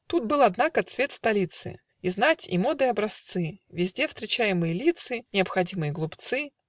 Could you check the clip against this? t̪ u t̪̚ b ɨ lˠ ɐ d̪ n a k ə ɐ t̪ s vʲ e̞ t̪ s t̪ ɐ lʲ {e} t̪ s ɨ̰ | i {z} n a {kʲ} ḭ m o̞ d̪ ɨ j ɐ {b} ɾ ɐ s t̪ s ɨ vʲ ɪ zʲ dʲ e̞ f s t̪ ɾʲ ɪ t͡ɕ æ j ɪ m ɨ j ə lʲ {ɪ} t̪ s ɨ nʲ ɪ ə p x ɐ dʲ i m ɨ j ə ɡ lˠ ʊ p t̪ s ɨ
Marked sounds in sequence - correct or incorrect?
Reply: incorrect: i, correct, incorrect: tʲ, correct, incorrect: i

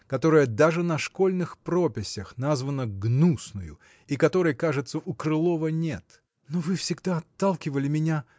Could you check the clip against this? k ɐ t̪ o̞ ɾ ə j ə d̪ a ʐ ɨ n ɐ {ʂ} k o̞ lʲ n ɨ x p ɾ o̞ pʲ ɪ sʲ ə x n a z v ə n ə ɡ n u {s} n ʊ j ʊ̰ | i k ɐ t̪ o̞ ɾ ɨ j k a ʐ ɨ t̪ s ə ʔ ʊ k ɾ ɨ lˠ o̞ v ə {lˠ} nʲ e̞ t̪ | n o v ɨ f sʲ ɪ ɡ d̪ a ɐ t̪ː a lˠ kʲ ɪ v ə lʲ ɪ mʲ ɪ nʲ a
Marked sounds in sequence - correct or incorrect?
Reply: correct, correct, incorrect: none

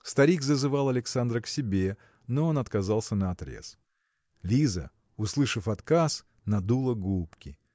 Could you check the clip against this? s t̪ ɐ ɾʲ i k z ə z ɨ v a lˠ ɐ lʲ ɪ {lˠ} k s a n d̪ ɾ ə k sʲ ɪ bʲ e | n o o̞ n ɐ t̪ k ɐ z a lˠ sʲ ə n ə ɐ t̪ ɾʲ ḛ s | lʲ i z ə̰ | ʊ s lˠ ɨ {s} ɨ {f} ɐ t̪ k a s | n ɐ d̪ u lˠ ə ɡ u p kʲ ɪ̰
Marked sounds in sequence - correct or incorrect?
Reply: incorrect: none, incorrect: ʂ, correct

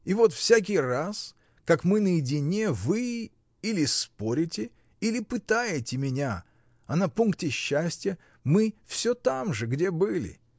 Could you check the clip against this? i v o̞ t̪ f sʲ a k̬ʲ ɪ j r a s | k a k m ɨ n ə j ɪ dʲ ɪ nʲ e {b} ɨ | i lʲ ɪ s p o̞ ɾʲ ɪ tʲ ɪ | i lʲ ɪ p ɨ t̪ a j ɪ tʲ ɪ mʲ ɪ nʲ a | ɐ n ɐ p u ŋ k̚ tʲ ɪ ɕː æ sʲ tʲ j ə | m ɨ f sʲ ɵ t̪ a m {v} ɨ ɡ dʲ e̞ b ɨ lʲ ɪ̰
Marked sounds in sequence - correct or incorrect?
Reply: incorrect: v, incorrect: ʐ

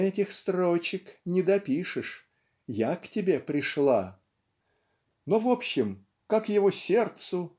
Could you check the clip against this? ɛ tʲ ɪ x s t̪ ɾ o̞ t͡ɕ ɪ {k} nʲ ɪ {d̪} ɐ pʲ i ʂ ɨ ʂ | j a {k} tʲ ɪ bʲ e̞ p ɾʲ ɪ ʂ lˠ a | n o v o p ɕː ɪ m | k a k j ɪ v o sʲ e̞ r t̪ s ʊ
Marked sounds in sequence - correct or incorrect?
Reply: correct, correct, correct

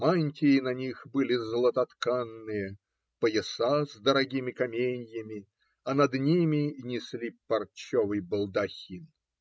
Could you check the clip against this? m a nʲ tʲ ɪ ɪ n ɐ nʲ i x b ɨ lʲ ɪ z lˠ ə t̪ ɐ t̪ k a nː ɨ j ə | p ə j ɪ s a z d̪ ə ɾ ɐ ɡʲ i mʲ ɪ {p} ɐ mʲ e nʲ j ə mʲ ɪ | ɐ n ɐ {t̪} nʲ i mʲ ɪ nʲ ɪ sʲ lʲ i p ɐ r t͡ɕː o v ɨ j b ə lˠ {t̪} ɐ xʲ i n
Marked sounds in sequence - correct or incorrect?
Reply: incorrect: k, incorrect: d̪, incorrect: d̪

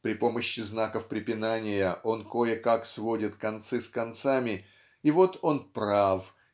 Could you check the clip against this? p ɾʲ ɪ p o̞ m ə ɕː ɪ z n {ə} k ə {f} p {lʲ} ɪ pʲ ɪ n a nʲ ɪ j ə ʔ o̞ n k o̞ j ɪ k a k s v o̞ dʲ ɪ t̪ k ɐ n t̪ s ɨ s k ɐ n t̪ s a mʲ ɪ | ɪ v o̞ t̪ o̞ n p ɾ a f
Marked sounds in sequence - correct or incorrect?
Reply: incorrect: a, correct, incorrect: ɾʲ

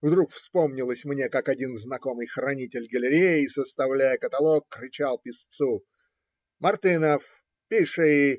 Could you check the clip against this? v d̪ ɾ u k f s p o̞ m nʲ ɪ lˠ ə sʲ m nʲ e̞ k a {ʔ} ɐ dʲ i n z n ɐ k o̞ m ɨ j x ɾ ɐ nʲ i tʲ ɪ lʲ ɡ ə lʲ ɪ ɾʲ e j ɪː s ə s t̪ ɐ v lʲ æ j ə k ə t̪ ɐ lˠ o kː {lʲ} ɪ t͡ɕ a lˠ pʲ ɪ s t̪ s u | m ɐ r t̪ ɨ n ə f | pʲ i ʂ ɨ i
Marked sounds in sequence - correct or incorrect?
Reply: incorrect: k, incorrect: ɾʲ

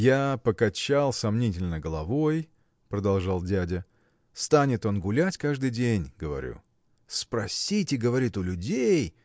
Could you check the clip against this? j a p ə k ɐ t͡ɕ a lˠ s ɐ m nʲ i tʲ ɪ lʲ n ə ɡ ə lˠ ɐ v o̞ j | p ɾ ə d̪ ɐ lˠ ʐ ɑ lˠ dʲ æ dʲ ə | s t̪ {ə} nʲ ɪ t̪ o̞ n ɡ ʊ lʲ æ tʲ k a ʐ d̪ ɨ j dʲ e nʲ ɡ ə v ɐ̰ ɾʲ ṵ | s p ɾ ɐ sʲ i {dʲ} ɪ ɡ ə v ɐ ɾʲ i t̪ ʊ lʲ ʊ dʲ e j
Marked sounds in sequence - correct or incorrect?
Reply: incorrect: a, incorrect: tʲ

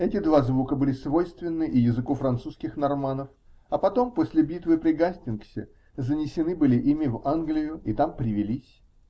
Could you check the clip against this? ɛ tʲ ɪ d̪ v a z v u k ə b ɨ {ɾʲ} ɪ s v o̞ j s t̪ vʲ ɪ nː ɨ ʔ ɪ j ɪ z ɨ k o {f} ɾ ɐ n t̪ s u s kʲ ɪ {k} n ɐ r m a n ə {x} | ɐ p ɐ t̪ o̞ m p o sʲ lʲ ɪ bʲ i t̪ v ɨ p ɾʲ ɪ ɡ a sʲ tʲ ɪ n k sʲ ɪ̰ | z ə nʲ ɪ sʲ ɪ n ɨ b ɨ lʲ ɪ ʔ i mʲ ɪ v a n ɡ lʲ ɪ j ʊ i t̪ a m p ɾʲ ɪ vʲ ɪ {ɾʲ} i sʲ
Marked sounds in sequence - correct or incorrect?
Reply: incorrect: lʲ, correct, incorrect: x, incorrect: f, incorrect: lʲ

